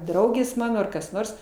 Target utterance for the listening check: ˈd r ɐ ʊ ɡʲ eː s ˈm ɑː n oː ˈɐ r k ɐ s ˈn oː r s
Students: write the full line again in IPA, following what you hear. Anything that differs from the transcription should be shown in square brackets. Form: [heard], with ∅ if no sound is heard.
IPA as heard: ˈd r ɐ ʊ ɡʲ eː s ˈm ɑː n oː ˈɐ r k ɐ s ˈn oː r s